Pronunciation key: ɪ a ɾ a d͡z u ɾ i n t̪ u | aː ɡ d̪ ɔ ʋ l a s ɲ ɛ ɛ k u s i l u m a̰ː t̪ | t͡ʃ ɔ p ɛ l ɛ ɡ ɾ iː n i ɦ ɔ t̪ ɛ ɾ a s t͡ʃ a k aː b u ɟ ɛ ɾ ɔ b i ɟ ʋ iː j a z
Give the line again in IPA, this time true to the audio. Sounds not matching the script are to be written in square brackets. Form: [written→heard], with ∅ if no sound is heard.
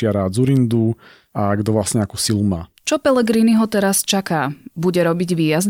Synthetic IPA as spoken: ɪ a ɾ a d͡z u ɾ i n [t̪→d̪] u | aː ɡ d̪ ɔ ʋ l a s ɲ ɛ [ɛ→a] k u s i l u m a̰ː [t̪→∅] | t͡ʃ ɔ p ɛ l ɛ ɡ ɾ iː n i ɦ ɔ t̪ ɛ ɾ a s t͡ʃ a k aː b u ɟ ɛ ɾ ɔ b i ɟ ʋ iː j a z